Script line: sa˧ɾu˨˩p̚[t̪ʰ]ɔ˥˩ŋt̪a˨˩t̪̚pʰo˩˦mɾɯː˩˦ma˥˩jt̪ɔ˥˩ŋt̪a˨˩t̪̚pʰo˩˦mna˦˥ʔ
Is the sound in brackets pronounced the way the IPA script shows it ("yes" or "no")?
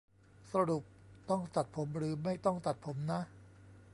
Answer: no